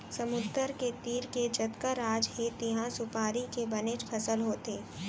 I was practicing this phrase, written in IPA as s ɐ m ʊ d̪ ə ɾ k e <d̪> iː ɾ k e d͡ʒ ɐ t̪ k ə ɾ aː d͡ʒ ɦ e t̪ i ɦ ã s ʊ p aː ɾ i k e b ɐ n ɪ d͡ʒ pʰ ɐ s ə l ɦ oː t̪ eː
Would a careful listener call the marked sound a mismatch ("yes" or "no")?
yes